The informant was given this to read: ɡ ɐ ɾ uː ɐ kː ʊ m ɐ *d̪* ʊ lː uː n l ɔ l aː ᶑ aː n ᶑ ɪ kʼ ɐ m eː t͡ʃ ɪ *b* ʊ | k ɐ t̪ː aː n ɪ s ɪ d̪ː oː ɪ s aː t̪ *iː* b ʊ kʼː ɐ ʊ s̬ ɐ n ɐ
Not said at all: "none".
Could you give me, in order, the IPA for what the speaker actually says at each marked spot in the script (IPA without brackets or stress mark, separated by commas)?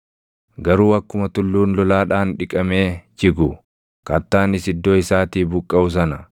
t̪, ɡ, iː